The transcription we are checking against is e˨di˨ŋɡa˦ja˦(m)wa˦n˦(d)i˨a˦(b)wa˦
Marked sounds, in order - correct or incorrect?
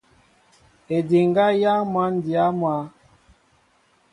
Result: correct, correct, incorrect: m

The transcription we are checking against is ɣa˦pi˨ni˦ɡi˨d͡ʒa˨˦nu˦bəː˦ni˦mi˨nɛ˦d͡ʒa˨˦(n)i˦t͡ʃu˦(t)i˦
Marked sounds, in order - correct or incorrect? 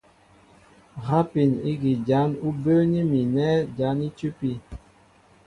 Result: correct, incorrect: p

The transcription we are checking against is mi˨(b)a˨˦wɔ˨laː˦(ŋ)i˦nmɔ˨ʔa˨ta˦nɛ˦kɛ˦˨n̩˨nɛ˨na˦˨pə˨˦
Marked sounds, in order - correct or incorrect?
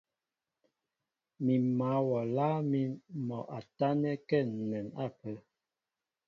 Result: incorrect: m, incorrect: m

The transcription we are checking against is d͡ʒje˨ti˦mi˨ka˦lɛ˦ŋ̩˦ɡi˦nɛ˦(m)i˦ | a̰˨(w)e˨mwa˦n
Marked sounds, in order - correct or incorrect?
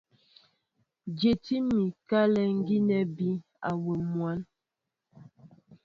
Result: incorrect: b, correct

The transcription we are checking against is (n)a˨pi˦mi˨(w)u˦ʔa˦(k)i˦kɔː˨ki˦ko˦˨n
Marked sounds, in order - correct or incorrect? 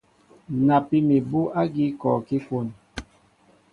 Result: correct, incorrect: b, incorrect: ɡ

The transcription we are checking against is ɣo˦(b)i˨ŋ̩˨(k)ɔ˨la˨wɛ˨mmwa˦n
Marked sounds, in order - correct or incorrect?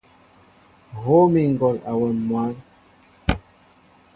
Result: incorrect: m, incorrect: ɡ

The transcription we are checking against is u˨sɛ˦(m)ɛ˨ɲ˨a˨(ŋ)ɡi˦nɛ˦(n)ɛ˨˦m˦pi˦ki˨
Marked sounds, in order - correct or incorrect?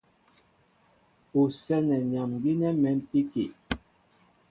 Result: incorrect: n, incorrect: m, incorrect: m

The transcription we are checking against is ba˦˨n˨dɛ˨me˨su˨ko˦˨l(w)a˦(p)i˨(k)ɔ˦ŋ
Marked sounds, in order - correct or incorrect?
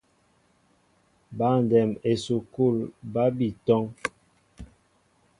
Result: incorrect: b, incorrect: b, incorrect: t

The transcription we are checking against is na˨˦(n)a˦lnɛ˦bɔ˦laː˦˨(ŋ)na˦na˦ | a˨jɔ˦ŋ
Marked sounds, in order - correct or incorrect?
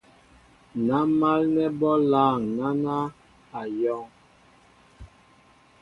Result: incorrect: m, correct

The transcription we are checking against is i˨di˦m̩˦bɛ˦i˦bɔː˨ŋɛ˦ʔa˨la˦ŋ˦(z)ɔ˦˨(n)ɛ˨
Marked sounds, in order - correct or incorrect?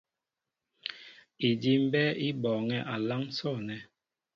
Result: incorrect: s, correct

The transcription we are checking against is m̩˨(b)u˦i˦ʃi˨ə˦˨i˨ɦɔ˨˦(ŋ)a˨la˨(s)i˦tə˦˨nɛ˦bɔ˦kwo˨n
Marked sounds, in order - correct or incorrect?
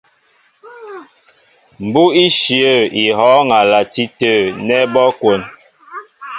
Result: correct, correct, incorrect: t

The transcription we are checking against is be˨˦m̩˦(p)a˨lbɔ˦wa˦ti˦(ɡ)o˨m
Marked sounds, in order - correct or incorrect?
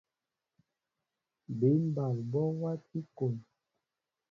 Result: incorrect: b, incorrect: k

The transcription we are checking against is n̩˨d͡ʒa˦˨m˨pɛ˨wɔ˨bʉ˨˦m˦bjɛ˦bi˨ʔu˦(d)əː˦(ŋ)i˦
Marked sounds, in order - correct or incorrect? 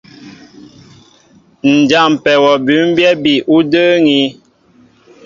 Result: correct, correct

